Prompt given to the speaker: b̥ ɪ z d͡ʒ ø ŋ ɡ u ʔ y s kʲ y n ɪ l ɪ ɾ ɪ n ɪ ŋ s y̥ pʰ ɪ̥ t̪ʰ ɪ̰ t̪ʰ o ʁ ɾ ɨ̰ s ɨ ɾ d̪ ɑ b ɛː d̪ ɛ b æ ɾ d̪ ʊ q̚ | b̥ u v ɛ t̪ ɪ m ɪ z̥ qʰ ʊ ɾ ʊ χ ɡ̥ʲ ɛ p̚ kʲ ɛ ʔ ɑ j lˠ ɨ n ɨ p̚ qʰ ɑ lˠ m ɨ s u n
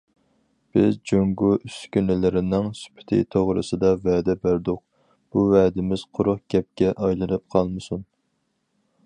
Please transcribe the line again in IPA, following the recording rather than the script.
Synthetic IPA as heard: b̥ ɪ z d͡ʒ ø ŋ ɡ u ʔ y s kʲ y n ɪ l ɪ ɾ ɪ n ɪ ŋ s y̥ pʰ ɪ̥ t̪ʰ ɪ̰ t̪ʰ o ʁ ɾ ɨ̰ s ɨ d̪ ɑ v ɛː d̪ ɛ b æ ɾ d̪ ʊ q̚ | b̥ u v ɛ d̪ ɪ m ɪ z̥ qʰ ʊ ɾ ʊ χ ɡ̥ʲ ɛ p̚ kʲ ɛ ʔ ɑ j lˠ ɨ n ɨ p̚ qʰ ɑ lˠ m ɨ s u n

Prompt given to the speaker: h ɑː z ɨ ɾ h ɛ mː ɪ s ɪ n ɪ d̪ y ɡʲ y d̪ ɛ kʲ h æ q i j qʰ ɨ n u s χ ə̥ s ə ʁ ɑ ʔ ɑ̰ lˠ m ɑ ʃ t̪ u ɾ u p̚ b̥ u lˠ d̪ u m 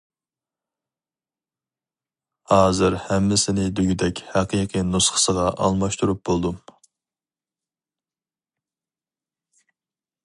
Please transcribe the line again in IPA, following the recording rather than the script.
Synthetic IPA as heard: h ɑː z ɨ ɾ h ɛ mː ɪ s ɪ n ɪ d̪ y ɡʲ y d̪ ɛ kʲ h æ q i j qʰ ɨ n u s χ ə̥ s ə ʁ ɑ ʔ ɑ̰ lˠ m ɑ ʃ t̪ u ɾ u p̚ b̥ o lˠ d̪ u m

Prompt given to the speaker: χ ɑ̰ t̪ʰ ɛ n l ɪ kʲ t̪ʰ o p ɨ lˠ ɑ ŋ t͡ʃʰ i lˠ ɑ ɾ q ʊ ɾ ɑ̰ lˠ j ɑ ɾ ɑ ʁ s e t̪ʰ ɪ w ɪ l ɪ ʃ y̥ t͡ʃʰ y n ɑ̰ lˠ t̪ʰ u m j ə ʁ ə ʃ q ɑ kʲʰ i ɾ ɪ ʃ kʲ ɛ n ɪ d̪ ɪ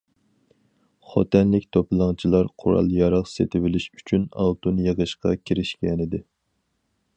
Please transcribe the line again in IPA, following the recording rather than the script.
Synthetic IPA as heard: χ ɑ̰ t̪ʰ ɛ n l ɪ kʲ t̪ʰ o p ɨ lˠ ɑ ŋ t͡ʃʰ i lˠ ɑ ɾ qʰ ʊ ɾ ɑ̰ lˠ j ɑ ɾ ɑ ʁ s e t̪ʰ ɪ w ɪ l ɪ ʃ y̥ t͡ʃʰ y n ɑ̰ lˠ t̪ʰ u n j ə ʁ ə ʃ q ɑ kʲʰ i ɾ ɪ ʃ kʲ ɛ n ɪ d̪ ɪ

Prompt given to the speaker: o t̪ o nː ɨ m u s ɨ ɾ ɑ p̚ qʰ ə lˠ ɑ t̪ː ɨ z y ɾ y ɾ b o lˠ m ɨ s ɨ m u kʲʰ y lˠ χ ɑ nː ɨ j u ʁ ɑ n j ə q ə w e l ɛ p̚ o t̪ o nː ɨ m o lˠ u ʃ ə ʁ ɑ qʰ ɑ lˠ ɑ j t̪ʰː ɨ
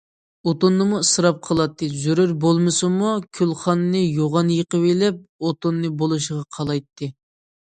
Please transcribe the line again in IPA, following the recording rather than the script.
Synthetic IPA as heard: o t̪ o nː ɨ m u s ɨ ɾ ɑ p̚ qʰ ə lˠ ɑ t̪ː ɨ z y ɾ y ɾ b o lˠ m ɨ s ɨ m u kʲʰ y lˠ χ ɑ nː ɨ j o ʁ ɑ n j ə q ə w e l ɛ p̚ o t̪ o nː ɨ b o lˠ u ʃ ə ʁ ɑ qʰ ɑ lˠ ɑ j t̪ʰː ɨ

